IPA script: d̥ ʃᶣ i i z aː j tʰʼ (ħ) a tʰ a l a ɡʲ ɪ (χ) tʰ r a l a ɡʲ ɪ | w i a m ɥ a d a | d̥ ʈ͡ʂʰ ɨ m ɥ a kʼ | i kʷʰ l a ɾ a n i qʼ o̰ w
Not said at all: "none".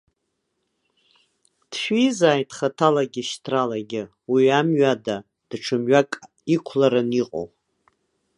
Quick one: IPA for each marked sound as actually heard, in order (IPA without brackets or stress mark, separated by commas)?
χ, ʃ